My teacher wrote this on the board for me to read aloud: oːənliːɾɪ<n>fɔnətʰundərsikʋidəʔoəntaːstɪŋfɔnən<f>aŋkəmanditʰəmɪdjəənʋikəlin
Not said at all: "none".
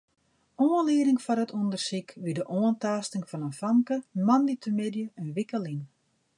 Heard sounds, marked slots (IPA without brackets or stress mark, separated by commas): ŋ, f